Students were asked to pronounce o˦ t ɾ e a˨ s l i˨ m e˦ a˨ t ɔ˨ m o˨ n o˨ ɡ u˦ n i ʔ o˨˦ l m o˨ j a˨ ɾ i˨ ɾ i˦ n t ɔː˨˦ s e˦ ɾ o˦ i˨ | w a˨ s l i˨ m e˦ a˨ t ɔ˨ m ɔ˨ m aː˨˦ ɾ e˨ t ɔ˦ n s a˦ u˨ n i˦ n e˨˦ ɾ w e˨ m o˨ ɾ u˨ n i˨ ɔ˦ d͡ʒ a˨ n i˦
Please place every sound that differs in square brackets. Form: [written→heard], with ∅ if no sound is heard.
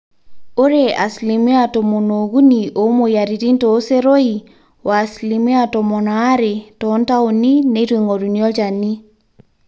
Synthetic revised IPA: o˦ [t→∅] ɾ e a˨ s l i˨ m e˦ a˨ t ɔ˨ m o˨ n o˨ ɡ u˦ n i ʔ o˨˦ [l→∅] m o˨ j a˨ ɾ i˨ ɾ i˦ n t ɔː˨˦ s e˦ ɾ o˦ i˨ | w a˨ s l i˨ m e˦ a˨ t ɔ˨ m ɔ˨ [m→n] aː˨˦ ɾ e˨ t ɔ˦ n [s→t] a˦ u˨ n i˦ n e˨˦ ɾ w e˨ [m→ŋ] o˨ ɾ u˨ n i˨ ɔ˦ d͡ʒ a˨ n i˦